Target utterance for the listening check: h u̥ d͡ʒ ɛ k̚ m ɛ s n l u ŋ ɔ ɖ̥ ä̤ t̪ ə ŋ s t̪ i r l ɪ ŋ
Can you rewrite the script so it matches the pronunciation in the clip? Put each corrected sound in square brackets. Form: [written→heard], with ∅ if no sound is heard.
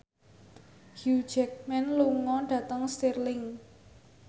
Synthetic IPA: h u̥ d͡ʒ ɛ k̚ m ɛ [s→∅] n l u ŋ ɔ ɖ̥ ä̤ t̪ ə ŋ s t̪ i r l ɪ ŋ